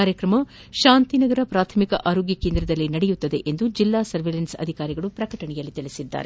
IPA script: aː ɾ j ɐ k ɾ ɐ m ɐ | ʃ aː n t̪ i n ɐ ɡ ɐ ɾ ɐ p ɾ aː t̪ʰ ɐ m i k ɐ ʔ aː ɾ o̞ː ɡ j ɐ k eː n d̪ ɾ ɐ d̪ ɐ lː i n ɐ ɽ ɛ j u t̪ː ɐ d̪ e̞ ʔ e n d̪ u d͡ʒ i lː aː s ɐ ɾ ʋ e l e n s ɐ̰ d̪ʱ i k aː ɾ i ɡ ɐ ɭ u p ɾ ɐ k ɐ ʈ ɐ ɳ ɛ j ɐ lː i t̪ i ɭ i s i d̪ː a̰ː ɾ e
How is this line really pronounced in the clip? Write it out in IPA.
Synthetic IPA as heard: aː ɾ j ɐ k ɾ ɐ m ɐ | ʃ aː n t̪ i n ɐ ɡ ɐ ɾ ɐ p ɾ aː t̪ʰ ɐ m i k ɐ ʔ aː ɾ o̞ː ɡ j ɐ k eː n d̪ ɾ ɐ d̪ ɐ lː i n ɐ ɽ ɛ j u t̪ː ɐ d̪ e̞ ʔ e n d̪ u d͡ʒ i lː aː s ɐ ɾ ʋ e l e n s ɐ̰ d̪ʱ i k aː ɾ i ɡ ɐ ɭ u p ɾ ɐ k ɐ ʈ ɐ ɳ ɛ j ɐ lː i t̪ i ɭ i s i d̪ː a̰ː ɾ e